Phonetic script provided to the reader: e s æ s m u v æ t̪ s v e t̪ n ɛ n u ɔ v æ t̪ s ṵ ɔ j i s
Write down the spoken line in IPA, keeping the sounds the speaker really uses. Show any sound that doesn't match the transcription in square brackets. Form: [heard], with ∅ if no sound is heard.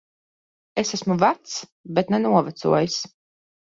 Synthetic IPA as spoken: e s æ s m u v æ t̪ s [b] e t̪ n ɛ n u ɔ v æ t̪ s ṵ ɔ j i s